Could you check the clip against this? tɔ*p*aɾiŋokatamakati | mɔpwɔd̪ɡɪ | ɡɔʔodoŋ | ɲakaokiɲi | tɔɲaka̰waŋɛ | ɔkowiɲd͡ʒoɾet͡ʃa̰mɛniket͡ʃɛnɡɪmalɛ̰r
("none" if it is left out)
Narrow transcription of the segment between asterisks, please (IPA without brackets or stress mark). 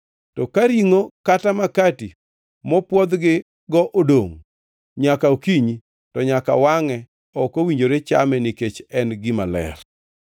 k